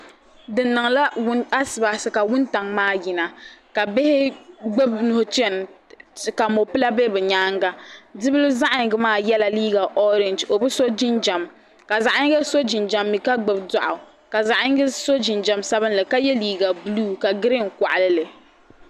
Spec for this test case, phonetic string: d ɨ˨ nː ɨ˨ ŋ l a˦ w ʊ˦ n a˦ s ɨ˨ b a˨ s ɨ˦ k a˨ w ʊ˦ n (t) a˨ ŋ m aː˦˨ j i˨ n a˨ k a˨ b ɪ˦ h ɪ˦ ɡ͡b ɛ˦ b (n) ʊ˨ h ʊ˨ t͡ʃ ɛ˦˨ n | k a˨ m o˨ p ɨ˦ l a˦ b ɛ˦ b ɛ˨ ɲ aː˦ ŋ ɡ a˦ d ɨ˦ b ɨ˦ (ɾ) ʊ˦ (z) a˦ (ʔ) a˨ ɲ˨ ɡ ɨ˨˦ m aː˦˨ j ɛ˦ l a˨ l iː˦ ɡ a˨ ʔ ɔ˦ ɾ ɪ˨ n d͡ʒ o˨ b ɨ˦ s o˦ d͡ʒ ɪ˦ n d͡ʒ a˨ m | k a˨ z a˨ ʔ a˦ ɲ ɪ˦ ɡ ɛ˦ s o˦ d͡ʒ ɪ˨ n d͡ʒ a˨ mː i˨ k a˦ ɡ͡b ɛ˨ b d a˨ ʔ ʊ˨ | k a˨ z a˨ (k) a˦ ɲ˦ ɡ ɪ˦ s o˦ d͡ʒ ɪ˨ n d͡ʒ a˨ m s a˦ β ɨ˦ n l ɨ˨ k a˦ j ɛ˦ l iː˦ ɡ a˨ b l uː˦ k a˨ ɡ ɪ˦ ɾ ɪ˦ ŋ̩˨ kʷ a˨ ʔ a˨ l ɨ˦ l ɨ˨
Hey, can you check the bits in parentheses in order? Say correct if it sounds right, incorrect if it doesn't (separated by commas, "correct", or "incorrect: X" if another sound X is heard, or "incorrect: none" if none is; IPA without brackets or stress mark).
correct, correct, incorrect: l, correct, correct, incorrect: ʔ